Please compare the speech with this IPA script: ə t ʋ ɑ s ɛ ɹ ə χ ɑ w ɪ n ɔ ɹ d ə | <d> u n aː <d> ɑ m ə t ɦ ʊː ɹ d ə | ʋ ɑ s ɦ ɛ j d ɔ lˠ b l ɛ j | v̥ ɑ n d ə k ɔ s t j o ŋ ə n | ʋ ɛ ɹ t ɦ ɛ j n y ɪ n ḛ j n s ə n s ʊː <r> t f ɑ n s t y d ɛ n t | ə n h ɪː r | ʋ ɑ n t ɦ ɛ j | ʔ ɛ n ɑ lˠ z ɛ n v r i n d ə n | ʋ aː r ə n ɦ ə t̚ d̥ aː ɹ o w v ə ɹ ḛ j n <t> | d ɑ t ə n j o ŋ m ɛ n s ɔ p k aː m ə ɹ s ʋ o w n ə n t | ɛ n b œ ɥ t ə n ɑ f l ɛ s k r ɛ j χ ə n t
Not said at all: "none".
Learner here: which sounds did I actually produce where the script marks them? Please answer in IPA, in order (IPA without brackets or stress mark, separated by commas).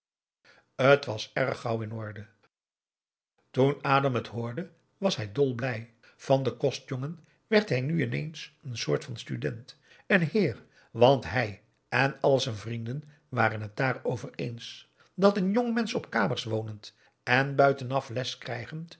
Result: t, d, ɹ, s